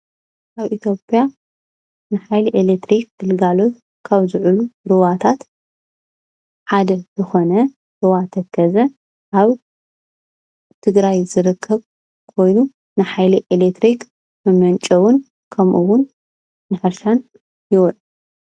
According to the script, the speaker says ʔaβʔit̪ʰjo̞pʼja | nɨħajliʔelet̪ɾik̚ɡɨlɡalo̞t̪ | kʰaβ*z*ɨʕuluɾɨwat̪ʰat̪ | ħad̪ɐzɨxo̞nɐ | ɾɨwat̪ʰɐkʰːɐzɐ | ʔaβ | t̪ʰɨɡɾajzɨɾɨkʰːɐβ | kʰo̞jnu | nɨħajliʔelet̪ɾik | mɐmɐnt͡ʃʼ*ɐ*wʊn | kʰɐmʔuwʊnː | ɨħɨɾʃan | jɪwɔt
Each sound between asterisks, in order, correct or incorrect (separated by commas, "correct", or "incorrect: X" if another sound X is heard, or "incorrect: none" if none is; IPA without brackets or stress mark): correct, correct